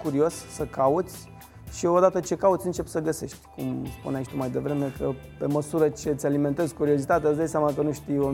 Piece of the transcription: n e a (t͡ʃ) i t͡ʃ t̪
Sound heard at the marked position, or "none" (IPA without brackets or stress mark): none